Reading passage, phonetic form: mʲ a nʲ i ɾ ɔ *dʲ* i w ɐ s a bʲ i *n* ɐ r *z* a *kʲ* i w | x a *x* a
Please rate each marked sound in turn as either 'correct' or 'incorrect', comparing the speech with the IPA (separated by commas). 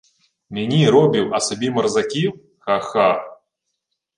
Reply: incorrect, incorrect, correct, correct, correct